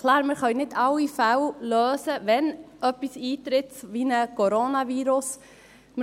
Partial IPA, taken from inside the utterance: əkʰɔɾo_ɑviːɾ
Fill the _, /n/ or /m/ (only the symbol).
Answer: n